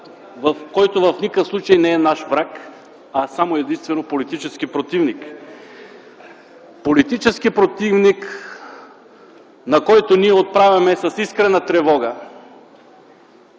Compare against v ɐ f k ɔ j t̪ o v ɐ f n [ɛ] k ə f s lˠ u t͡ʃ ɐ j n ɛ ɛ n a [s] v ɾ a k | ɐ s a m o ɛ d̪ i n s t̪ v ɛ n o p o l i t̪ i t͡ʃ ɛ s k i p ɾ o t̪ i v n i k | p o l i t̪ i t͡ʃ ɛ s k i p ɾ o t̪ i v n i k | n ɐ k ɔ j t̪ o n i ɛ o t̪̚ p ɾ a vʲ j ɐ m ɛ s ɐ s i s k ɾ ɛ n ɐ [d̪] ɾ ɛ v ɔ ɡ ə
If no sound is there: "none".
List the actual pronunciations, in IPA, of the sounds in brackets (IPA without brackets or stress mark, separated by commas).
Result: i, ʃ, t̪